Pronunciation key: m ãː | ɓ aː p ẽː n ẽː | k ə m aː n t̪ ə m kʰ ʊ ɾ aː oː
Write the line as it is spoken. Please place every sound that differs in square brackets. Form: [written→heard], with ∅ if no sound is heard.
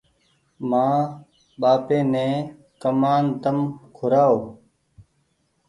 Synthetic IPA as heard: m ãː | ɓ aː p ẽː n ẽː | k ə m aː n t̪ ə m kʰ ʊ ɾ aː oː